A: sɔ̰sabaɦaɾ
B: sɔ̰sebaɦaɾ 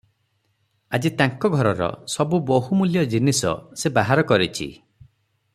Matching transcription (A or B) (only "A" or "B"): B